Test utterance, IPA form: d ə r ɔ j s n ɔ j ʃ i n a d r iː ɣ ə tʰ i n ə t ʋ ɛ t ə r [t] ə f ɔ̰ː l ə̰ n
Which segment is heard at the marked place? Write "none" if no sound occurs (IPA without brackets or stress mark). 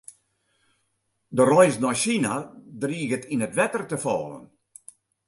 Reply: t